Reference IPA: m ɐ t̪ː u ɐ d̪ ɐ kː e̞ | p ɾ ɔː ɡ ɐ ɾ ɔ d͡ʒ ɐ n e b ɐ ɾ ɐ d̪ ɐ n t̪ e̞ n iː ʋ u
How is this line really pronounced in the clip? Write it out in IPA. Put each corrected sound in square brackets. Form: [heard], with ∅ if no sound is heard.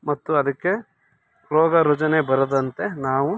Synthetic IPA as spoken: m ɐ t̪ː u ɐ d̪ ɐ kː e̞ | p ɾ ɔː ɡ ɐ ɾ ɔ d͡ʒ ɐ n e b ɐ ɾ ɐ d̪ ɐ n t̪ e̞ n [aː] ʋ u